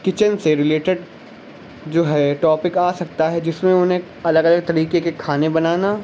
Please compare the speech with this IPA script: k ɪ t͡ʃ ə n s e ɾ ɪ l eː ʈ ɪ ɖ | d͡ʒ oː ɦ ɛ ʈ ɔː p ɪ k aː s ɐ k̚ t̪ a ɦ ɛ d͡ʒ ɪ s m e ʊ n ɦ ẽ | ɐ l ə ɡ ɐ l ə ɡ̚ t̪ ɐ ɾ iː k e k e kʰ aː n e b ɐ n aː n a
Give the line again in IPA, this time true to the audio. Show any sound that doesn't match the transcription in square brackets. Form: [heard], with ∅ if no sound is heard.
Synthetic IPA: k ɪ t͡ʃ ə n s e ɾ ɪ l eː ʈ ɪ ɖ | d͡ʒ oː ɦ ɛ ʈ ɔː p ɪ k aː s ɐ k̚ t̪ a ɦ ɛ d͡ʒ ɪ s m [ẽ] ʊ n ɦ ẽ | ɐ l ə ɡ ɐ l ə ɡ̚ t̪ ɐ ɾ iː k e k e kʰ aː n e b ɐ n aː n a